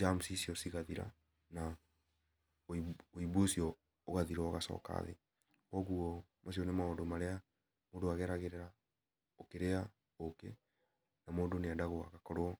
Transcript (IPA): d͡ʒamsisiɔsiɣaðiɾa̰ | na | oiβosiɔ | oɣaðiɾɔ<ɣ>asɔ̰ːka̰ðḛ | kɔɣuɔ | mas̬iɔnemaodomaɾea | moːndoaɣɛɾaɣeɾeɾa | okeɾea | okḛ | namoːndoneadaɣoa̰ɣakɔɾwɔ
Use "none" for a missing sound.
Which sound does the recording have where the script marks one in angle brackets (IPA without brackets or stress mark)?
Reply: ɣ